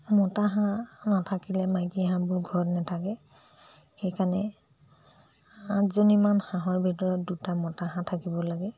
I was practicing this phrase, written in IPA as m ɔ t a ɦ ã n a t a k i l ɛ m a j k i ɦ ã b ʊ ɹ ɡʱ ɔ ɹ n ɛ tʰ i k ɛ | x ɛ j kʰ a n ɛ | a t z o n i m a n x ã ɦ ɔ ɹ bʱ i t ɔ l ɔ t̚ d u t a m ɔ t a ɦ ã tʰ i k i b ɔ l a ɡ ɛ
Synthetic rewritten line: m ɔ t a ɦ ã n a tʰ a k i l ɛ m a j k i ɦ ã b ʊ ɹ ɡʱ ɔ ɹ n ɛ tʰ a k ɛ | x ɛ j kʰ a n ɛ | a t z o n i m a n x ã ɦ ɔ ɹ bʱ i t ɔ ɹ ɔ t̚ d u t a m ɔ t a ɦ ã tʰ a k i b ɔ l a ɡ ɛ